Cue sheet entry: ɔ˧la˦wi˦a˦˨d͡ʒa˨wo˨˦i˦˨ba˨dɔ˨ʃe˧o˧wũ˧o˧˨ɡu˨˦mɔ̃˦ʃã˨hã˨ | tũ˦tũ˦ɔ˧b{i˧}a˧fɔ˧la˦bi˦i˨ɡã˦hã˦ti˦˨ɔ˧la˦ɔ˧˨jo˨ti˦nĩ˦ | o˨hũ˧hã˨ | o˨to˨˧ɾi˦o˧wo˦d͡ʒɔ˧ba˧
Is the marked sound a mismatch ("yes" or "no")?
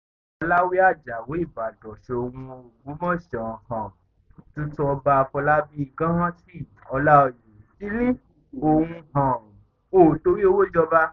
yes